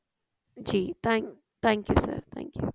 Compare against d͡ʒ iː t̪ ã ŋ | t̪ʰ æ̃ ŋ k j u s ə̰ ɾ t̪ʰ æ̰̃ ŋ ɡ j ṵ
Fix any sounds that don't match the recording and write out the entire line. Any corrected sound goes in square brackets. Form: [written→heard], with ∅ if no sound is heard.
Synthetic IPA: d͡ʒ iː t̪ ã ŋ | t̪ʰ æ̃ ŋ k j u s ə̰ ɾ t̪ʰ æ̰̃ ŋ [ɡ→k] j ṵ